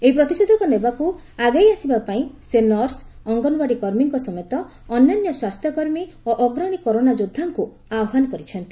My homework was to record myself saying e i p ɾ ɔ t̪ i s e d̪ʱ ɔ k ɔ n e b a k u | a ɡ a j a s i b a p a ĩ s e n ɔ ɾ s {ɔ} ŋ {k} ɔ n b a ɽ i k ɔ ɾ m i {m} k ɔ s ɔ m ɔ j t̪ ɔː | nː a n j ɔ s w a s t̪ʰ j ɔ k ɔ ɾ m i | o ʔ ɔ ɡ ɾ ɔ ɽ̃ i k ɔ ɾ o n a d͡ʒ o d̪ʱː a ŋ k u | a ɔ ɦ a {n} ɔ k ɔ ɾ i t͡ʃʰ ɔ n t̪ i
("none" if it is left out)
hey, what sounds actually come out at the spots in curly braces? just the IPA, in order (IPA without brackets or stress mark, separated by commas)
ɔ, ɡ, ŋ, n